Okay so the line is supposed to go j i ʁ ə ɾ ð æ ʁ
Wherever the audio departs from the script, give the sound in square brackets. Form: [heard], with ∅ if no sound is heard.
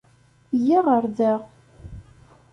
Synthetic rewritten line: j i ʁ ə ɾ ð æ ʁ